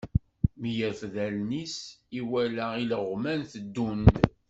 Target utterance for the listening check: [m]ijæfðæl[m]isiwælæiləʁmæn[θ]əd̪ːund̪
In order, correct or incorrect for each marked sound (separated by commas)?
correct, incorrect, correct